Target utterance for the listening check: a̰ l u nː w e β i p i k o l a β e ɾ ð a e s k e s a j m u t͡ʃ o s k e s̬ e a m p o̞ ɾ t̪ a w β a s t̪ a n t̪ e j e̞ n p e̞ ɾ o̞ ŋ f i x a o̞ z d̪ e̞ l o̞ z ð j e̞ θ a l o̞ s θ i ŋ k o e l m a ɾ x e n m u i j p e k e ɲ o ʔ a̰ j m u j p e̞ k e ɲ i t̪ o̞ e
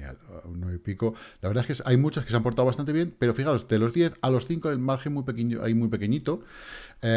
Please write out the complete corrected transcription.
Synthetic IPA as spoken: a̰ l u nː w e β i p i k o l a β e ɾ ð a e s k e s a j m u t͡ʃ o s k e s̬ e a m p o̞ ɾ t̪ a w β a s t̪ a n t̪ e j e̞ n p e̞ ɾ o̞ f i x a o̞ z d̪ e̞ l o̞ z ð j e̞ θ a l o̞ s θ i ŋ k o e l m a ɾ x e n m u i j p e k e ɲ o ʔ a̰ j m u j p e̞ k e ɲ i t̪ o̞ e